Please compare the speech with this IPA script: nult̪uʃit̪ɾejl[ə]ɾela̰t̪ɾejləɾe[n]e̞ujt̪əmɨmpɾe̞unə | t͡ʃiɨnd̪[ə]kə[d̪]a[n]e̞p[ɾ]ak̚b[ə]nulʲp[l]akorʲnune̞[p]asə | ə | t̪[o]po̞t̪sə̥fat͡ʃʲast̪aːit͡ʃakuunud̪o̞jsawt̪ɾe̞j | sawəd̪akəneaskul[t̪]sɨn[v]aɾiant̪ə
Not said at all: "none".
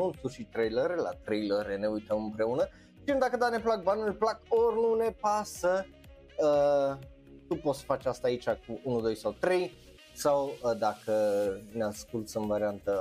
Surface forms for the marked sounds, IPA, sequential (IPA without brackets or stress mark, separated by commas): ə, n, a, d̪, n, l, a, l, p, u, t̪, v